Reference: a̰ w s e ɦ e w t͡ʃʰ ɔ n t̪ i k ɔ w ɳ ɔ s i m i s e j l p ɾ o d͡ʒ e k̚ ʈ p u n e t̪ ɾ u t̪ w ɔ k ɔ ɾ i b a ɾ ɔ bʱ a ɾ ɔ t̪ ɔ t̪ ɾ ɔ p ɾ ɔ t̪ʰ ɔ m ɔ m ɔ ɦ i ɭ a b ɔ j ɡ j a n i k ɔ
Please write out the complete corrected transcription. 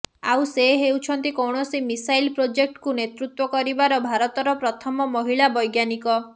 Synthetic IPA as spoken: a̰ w s e ɦ e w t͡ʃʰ ɔ n t̪ i k ɔ w ɳ ɔ s i m i s a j l p ɾ o d͡ʒ e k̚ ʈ k u n e t̪ ɾ u t̪ w ɔ k ɔ ɾ i b a ɾ ɔ bʱ a ɾ ɔ t̪ ɔ ɾ ɔ p ɾ ɔ t̪ʰ ɔ m ɔ m ɔ ɦ i ɭ a b ɔ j ɡ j a n i k ɔ